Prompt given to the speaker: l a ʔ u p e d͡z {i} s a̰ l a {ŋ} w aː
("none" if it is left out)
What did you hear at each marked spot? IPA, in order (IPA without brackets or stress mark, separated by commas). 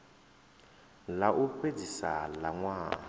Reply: i, ŋ